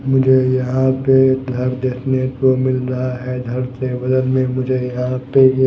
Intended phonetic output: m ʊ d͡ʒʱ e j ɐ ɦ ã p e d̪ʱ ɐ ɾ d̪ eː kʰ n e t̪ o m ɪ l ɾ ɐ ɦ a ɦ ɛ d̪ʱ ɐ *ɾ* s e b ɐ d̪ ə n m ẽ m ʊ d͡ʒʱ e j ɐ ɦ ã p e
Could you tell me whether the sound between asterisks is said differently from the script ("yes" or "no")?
no